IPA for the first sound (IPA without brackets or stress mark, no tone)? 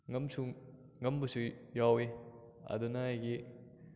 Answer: ŋ